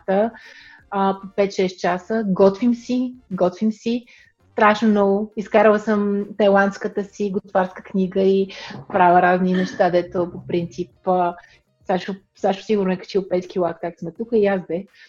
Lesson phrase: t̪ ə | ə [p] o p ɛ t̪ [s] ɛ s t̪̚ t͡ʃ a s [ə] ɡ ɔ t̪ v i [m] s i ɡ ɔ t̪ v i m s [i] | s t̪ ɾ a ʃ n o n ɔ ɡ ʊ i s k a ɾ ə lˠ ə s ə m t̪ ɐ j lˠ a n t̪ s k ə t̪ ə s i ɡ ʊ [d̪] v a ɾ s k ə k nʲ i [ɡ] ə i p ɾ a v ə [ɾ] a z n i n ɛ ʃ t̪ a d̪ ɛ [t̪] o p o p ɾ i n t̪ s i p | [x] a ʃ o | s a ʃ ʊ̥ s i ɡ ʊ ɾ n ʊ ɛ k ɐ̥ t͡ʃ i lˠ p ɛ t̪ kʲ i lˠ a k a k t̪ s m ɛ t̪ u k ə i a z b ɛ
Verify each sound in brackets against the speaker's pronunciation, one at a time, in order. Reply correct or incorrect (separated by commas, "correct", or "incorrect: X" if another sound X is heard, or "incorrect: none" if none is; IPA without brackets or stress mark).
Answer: correct, incorrect: ʃ, correct, correct, correct, incorrect: t̪, correct, correct, correct, incorrect: s